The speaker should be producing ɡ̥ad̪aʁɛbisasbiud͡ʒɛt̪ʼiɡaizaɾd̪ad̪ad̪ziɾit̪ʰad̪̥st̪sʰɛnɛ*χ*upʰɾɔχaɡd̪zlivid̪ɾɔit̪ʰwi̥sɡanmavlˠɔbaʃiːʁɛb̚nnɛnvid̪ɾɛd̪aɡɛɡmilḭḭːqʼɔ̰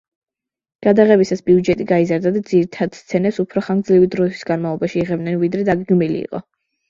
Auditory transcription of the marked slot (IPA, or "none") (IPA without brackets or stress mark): s